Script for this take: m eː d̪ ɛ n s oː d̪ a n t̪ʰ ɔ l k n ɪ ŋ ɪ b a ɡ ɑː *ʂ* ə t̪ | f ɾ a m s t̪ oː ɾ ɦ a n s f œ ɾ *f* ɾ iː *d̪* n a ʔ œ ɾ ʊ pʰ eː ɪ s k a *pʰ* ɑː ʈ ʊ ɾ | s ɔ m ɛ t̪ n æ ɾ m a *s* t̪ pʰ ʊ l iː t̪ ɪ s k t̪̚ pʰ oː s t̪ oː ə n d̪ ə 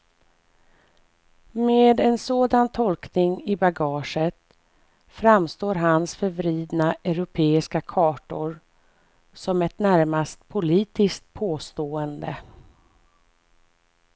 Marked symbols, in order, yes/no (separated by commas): yes, no, yes, no, yes